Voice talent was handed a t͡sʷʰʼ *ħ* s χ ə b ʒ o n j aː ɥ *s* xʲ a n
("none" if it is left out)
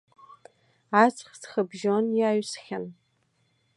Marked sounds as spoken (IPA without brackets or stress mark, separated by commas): χ, s